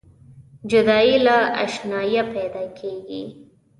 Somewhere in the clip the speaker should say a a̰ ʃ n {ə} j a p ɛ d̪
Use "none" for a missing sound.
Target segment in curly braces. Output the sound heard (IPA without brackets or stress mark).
ɑ